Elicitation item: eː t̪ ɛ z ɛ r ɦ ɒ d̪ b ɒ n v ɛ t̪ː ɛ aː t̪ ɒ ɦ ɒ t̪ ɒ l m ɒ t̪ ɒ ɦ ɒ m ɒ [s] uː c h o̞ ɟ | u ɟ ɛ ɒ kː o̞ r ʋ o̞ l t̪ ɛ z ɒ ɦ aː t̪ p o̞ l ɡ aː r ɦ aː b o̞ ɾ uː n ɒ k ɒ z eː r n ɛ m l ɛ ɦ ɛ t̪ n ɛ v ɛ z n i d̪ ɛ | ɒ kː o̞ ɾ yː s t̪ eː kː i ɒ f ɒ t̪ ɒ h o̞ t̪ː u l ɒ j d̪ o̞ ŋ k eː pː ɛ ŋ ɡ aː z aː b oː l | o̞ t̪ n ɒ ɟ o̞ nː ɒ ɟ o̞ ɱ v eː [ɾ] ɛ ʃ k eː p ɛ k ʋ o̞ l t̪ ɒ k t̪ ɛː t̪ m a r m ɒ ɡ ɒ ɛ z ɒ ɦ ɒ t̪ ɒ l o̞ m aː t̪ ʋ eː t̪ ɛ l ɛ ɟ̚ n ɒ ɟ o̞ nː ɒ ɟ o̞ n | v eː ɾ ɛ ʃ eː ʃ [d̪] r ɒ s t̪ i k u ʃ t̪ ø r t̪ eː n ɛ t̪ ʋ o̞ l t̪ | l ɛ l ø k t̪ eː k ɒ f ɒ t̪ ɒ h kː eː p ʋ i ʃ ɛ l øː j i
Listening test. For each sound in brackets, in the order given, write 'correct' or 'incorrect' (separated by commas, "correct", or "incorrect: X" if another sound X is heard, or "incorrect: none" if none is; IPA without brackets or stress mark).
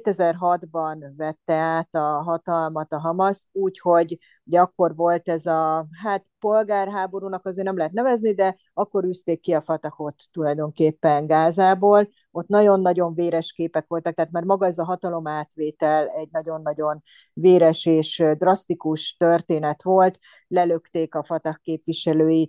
correct, correct, correct